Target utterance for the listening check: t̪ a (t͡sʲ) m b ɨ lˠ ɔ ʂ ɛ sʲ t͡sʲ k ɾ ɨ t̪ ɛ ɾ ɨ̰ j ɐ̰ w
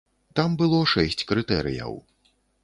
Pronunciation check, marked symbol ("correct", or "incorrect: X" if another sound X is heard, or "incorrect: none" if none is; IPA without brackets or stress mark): incorrect: none